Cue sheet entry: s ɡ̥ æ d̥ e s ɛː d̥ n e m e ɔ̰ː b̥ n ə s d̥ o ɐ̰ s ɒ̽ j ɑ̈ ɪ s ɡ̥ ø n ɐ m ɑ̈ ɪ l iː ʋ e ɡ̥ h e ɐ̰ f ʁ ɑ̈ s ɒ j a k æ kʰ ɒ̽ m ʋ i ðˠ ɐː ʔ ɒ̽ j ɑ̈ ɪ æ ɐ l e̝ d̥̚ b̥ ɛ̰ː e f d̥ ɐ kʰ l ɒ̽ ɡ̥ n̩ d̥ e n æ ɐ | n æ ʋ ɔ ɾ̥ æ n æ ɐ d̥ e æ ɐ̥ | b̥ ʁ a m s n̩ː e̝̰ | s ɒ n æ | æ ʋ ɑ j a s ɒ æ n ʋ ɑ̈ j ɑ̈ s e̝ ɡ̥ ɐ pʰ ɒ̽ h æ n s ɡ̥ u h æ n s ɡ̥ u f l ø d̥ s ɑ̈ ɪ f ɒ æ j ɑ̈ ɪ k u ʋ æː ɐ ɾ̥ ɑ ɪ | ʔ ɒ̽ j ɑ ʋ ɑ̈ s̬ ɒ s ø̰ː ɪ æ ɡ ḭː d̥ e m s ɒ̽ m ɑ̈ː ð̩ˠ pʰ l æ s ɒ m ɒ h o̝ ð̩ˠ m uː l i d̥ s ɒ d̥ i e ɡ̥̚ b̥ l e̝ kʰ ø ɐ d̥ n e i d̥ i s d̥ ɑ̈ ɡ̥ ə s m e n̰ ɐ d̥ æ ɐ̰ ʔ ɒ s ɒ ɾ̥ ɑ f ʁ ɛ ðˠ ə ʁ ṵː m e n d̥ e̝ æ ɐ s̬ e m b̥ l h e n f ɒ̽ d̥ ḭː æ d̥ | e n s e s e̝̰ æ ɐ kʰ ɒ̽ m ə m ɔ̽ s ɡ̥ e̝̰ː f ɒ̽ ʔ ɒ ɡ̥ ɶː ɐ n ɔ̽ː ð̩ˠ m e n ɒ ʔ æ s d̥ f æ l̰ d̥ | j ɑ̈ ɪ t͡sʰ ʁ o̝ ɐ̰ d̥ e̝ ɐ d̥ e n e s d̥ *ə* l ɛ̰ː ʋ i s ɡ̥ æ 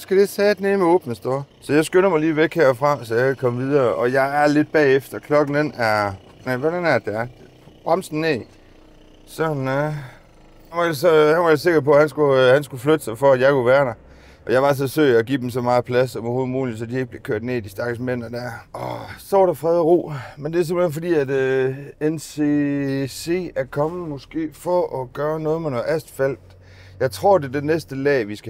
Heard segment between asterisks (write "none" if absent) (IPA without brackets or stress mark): ə